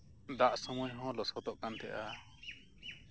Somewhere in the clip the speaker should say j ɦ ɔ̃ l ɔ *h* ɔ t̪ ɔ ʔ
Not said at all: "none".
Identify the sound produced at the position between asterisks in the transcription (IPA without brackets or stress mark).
s